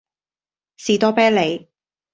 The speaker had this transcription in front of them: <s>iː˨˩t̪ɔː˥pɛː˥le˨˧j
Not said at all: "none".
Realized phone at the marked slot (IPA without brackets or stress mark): s